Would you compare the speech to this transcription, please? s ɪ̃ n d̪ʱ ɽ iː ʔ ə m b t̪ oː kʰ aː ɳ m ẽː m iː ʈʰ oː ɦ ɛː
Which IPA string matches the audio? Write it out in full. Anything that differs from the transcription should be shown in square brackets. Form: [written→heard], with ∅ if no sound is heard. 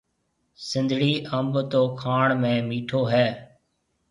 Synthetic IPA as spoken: s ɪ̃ n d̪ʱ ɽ iː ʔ ə m b t̪ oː kʰ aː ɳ m ẽː m iː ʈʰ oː ɦ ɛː